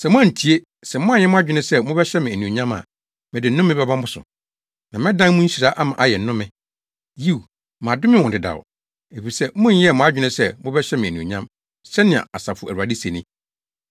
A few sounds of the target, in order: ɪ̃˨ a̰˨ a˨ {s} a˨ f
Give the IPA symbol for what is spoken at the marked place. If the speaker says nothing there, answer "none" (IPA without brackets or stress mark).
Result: s